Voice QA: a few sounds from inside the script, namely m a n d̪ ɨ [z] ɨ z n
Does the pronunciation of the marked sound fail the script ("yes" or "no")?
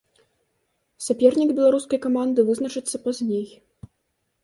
yes